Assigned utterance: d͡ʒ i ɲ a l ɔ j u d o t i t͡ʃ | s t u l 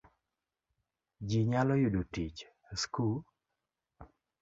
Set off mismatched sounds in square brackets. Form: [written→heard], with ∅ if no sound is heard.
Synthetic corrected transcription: d͡ʒ i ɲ a l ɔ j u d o t i t͡ʃ | s [t→k] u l